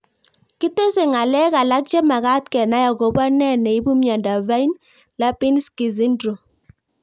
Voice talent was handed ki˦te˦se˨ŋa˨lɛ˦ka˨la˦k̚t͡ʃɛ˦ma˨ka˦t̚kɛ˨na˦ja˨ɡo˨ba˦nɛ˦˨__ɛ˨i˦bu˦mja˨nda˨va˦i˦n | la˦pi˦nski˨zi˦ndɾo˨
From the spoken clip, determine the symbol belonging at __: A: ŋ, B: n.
B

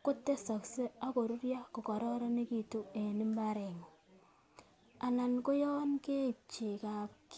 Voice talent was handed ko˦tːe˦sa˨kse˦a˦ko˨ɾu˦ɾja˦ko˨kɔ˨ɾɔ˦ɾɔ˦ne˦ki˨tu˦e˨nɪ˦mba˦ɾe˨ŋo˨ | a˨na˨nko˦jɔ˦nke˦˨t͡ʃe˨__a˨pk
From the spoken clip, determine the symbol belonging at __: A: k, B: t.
A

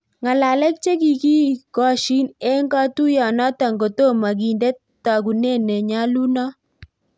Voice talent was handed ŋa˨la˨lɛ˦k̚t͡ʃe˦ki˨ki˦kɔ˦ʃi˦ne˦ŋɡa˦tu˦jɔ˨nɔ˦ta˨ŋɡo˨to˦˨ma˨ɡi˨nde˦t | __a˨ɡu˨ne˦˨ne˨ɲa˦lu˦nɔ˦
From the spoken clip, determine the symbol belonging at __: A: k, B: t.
B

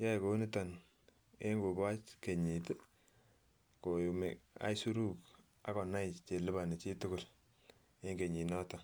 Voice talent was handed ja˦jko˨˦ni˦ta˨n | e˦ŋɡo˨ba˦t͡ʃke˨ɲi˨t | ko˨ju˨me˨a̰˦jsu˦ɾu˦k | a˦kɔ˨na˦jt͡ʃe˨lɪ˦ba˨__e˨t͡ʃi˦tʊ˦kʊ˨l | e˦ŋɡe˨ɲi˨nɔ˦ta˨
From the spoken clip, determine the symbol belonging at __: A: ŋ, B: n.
B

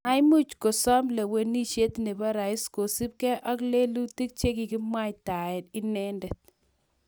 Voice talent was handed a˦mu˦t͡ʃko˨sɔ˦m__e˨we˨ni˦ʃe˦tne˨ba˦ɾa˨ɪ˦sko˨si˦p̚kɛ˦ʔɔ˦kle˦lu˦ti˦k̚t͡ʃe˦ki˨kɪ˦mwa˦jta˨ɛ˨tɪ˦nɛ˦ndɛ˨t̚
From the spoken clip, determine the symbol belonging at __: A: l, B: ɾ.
A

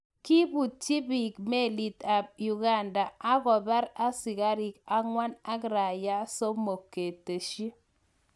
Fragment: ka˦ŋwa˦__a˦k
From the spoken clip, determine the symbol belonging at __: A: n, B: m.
A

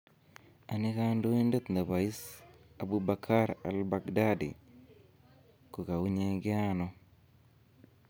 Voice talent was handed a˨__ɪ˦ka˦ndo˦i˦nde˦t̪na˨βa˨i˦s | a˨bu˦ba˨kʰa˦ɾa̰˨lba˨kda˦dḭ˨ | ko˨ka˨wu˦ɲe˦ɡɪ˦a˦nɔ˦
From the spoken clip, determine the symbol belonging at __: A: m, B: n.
B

